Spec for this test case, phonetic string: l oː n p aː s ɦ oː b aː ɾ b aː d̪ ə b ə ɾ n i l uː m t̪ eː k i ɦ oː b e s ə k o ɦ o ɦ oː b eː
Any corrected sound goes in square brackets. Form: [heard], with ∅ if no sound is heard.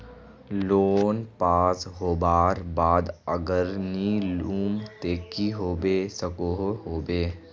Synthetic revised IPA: l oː n p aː s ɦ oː b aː ɾ b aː d̪ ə [ɡ] ə ɾ n i l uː m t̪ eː k i ɦ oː b e s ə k o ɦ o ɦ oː b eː